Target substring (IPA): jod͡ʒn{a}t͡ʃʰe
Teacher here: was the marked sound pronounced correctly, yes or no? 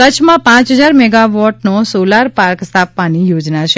yes